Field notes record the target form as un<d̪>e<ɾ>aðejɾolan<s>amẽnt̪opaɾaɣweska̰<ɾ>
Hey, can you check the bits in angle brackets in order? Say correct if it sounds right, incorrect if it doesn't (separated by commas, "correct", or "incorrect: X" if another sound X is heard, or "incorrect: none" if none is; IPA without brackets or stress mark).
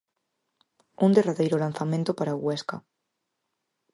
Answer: correct, incorrect: r, incorrect: θ, incorrect: none